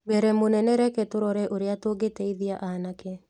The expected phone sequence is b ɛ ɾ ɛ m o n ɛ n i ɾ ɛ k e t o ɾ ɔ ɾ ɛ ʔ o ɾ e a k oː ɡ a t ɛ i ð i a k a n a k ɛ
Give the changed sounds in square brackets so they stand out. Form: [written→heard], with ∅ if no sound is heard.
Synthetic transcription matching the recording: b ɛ ɾ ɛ m o n ɛ n [i→ɛ] ɾ ɛ k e t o ɾ ɔ ɾ ɛ ʔ o ɾ e a [k→t] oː ɡ [a→e] t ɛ i ð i a [k→ʔ] a n a k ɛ